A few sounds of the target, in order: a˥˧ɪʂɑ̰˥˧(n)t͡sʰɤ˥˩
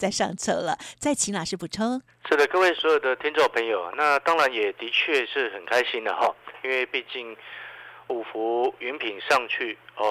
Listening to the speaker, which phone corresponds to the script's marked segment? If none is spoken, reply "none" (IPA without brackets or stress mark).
ŋ